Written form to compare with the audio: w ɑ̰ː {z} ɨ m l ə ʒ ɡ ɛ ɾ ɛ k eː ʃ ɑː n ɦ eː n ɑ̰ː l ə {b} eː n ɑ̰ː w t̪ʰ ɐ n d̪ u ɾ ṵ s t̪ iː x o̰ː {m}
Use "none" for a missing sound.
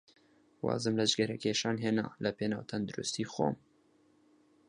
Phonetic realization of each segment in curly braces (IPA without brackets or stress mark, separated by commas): z, p, m